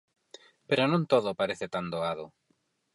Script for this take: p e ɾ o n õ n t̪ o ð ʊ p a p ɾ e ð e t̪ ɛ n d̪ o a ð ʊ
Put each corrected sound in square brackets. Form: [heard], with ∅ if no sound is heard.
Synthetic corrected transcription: p e ɾ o n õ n t̪ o ð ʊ p a [∅] ɾ e [θ] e t̪ [a] n d̪ o a ð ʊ